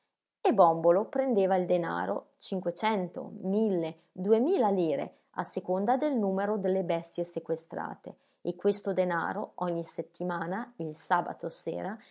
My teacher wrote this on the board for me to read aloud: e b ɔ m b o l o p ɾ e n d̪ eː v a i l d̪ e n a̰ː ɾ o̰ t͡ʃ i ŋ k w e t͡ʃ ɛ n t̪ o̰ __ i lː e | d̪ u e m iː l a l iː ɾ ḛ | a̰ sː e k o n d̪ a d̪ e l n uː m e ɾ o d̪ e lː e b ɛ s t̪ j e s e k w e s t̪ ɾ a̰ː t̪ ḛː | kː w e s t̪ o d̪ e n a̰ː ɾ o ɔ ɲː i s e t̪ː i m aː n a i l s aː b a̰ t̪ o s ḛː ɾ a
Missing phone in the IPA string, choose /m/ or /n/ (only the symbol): m